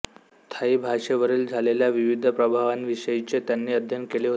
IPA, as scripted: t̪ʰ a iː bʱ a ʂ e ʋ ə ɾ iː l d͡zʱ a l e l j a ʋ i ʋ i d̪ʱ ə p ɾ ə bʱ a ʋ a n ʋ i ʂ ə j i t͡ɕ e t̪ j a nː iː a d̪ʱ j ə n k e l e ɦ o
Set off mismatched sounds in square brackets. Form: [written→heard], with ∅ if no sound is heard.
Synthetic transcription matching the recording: t̪ʰ a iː bʱ a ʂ e ʋ ə ɾ iː l d͡zʱ a l e l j a ʋ i ʋ i d̪ʱ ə p ɾ ə bʱ a ʋ a n ʋ i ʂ ə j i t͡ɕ e t̪ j a nː iː [a→ə] d̪ʱ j ə n k e l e ɦ o

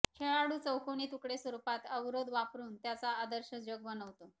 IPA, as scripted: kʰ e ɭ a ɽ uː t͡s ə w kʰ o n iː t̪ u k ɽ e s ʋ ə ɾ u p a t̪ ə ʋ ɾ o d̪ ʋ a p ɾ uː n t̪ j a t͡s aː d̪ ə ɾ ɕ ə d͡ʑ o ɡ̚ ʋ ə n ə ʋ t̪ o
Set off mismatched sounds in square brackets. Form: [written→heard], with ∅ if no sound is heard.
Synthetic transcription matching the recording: kʰ e ɭ a ɽ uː t͡s ə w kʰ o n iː t̪ u k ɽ e s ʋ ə ɾ u p a t̪ ə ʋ ɾ o d̪ ʋ a p ɾ uː n t̪ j a t͡s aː d̪ ə ɾ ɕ ə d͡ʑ o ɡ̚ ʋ ə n ə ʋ t̪ o

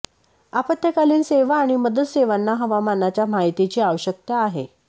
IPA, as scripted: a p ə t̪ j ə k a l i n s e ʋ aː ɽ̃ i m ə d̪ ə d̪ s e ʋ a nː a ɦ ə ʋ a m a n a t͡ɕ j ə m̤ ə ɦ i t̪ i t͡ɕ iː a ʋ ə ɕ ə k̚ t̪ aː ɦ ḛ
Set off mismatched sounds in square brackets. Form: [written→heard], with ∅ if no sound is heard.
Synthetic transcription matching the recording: a p ə t̪ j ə k a l [i→iː] n s e ʋ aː ɽ̃ i m ə d̪ ə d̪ s e ʋ a nː a ɦ ə ʋ a m a n a t͡ɕ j [ə→a] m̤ [ə→a] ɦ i t̪ i t͡ɕ iː a ʋ ə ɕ ə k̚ t̪ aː ɦ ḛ

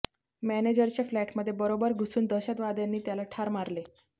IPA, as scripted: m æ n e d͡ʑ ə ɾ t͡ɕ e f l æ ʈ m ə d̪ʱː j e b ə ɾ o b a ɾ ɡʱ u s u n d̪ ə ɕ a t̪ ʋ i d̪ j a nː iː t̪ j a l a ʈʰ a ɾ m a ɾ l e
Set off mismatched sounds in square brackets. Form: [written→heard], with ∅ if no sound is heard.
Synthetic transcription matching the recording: m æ n e d͡ʑ ə ɾ t͡ɕ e f l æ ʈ m ə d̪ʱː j e b ə ɾ o b [a→ə] ɾ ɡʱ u s [u→uː] n d̪ ə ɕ a t̪ ʋ [i→a] d̪ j a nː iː t̪ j a l a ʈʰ a ɾ m a ɾ l e

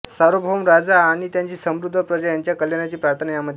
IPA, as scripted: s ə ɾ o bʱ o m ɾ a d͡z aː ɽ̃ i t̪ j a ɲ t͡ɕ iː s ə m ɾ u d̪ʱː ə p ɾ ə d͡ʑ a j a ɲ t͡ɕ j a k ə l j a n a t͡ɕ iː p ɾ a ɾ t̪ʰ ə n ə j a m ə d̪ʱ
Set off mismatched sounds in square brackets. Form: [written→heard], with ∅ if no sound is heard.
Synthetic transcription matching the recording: s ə ɾ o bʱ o m ɾ a d͡z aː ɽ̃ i t̪ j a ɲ t͡ɕ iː s ə m ɾ u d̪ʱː ə p ɾ ə d͡ʑ a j a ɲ t͡ɕ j a k ə l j a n a t͡ɕ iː p ɾ a ɾ t̪ʰ ə n ə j a m ə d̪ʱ

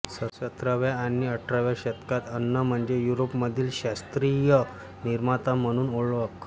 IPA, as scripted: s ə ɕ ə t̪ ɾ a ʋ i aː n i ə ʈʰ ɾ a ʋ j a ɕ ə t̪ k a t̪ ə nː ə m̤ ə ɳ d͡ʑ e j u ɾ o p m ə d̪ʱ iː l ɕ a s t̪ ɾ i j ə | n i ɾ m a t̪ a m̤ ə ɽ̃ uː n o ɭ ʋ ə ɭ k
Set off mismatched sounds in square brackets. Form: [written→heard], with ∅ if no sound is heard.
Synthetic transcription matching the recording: s ə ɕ ə t̪ ɾ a ʋ [i→j] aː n i ə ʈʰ ɾ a ʋ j a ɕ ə t̪ k a t̪ ə nː ə m̤ ə ɳ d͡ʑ e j u ɾ o p m ə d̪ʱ iː l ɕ a s t̪ ɾ i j ə | n i ɾ m a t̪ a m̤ ə ɽ̃ uː n o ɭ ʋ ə [ɭ→∅] k

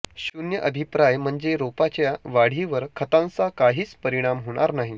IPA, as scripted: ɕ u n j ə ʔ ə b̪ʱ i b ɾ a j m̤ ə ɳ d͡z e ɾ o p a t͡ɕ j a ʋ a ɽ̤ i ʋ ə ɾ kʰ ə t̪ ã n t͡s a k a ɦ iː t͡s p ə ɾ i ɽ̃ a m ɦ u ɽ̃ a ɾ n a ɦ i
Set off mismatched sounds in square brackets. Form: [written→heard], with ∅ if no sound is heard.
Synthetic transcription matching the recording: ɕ u n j ə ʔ ə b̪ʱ i [b→p] ɾ a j m̤ ə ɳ d͡z e ɾ o p a t͡ɕ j a ʋ a ɽ̤ i ʋ ə ɾ kʰ ə t̪ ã n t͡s a k a ɦ iː t͡s p ə ɾ i ɽ̃ a m ɦ [u→o] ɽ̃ a ɾ n a ɦ i

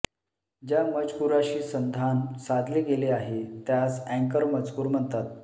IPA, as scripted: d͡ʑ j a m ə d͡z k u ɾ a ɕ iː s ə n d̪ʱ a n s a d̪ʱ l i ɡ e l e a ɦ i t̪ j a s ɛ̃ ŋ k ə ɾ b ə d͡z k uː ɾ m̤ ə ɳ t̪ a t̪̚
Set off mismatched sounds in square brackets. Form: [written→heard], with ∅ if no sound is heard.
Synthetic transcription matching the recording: d͡ʑ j a m ə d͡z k u ɾ a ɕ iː s ə n d̪ʱ a n s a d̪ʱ l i ɡ e l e a ɦ [i→e] t̪ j a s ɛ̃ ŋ k ə ɾ [b→m] ə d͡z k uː ɾ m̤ ə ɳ t̪ a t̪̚

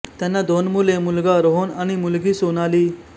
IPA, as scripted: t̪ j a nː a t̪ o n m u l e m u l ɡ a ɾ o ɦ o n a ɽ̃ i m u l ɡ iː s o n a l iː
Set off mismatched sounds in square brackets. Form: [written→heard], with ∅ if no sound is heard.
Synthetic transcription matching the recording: t̪ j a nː a [t̪→d̪] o n m u l e m u l ɡ a ɾ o ɦ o n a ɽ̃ i m u l ɡ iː s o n a l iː

